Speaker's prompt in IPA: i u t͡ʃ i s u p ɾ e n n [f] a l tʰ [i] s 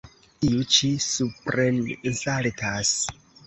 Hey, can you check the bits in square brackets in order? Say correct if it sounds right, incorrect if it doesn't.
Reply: incorrect: s, incorrect: a

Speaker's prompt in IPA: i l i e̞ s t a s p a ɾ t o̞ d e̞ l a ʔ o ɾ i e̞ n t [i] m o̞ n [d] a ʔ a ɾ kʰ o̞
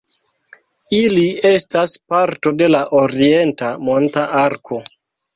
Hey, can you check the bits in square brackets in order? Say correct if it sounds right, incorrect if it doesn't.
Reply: incorrect: a, incorrect: t

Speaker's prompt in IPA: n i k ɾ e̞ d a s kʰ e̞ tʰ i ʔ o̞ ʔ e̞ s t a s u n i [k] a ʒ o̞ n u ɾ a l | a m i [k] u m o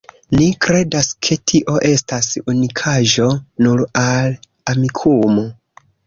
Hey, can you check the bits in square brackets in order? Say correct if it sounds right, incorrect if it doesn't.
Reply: incorrect: kʰ, incorrect: kʰ

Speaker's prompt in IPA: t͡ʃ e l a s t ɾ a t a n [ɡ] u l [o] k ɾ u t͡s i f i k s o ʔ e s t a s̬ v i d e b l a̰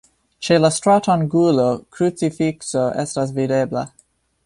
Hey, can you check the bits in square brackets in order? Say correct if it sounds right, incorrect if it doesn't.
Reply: correct, correct

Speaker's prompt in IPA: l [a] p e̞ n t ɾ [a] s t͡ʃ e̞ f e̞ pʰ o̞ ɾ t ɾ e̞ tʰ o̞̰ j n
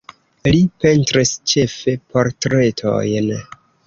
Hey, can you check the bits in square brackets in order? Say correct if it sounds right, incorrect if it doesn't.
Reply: incorrect: i, incorrect: i

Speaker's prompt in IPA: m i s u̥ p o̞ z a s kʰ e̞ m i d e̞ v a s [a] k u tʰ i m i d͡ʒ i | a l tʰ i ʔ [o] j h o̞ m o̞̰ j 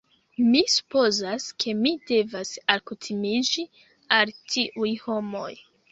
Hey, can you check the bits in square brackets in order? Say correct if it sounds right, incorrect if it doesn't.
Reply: correct, incorrect: u

